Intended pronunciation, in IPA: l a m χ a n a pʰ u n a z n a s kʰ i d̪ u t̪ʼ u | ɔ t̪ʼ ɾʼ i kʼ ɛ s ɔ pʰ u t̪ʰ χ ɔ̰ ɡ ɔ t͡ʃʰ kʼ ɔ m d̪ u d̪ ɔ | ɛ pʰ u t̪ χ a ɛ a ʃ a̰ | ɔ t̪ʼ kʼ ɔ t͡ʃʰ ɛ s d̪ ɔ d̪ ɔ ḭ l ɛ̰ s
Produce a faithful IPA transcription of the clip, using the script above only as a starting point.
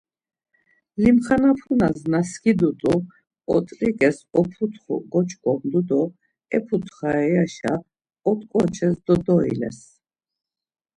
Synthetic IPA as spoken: l i m χ a n a pʰ u n a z n a s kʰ i d̪ u t̪ʼ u | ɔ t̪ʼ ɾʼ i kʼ ɛ s ɔ pʰ u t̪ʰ χ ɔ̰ ɡ ɔ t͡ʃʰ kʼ ɔ m d̪ u d̪ ɔ | ɛ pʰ u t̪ χ a ɛ a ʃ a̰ | ɔ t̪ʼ kʼ ɔ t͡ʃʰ ɛ s d̪ ɔ d̪ ɔ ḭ l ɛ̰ s